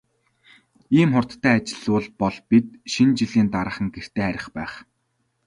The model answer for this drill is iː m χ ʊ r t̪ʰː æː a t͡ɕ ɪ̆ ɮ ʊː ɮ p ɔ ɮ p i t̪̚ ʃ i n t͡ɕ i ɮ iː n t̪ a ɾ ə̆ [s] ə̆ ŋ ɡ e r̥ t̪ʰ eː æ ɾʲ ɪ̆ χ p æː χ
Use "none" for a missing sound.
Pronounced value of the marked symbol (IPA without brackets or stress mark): χ